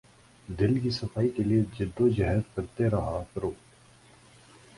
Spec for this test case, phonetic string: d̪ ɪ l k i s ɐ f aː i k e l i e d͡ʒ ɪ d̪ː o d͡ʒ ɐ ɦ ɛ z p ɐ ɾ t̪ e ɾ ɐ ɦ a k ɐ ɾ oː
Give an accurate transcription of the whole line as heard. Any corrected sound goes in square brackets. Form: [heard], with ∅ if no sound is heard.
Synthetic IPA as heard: d̪ ɪ l k i s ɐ f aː i k e l i e d͡ʒ ɪ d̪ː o d͡ʒ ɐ ɦ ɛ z [k] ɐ ɾ t̪ e ɾ ɐ ɦ a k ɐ ɾ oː

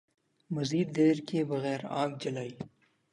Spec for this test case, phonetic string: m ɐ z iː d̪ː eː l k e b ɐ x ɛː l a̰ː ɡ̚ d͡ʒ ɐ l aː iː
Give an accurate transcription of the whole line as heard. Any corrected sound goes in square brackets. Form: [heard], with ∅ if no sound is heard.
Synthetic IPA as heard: m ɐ z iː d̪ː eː [ɾ] k e b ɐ [ɣ] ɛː [ɾ] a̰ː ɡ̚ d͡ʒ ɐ l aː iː

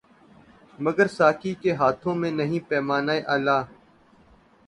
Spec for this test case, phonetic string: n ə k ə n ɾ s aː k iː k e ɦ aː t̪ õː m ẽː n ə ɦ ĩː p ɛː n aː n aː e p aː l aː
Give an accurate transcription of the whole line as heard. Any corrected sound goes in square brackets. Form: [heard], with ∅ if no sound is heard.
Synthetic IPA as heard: [m] ə [ɡ] ə [∅] ɾ s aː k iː k e ɦ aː [t̪ʰ] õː m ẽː n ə ɦ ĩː p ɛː [m] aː n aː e [ʔ] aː l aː

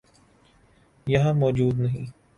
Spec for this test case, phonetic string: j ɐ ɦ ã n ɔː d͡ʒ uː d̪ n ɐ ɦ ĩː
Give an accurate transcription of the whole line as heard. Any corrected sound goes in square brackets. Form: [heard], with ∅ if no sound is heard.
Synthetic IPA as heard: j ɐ ɦ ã [m] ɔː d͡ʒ uː d̪ n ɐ ɦ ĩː

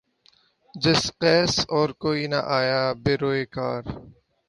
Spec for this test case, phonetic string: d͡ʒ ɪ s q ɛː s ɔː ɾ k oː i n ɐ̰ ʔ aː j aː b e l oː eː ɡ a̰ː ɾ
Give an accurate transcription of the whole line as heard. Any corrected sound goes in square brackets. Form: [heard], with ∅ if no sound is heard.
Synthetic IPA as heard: d͡ʒ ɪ s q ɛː s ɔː ɾ k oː i n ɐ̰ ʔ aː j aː b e [ɾ] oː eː [k] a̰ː ɾ

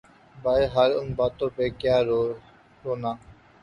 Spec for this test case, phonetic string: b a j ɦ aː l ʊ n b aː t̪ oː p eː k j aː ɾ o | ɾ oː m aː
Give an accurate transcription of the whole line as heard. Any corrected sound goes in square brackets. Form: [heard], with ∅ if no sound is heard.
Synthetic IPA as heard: b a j ɦ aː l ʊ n b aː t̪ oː p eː k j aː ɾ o | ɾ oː [n] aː

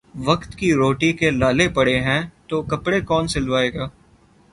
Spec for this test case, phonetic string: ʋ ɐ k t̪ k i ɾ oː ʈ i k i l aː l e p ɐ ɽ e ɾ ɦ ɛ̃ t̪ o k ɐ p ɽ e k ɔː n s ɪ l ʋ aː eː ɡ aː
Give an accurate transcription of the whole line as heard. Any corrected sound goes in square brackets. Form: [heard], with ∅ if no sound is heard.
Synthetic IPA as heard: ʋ ɐ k t̪ k i ɾ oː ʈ i k [e] l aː l e p ɐ ɽ e [∅] ɦ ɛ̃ t̪ o k ɐ p ɽ e k ɔː n s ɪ l ʋ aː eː ɡ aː

